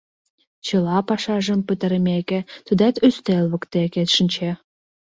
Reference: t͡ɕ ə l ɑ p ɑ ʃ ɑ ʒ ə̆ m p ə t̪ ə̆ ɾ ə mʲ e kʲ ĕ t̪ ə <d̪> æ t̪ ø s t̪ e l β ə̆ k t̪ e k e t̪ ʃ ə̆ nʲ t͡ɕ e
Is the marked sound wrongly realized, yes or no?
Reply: no